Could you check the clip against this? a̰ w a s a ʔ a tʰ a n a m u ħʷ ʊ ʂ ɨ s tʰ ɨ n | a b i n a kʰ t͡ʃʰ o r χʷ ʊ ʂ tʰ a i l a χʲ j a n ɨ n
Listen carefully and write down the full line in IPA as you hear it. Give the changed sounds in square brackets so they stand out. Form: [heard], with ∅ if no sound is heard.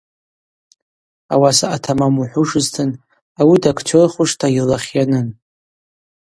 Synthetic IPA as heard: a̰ w a s a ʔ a tʰ a [m] a m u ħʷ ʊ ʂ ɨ [z] tʰ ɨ n | a [w] i [d] a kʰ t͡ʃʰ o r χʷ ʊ ʂ tʰ a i l a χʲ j a n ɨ n